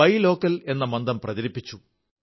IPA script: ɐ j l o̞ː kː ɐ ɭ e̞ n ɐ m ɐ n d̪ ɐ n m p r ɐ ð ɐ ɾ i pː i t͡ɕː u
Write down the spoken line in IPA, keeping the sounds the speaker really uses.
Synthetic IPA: ɐ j l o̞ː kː ɐ l e̞ nː ɐ m ɐ n d̪ ɐ m p r ɐ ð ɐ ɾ i pː i t͡ɕː u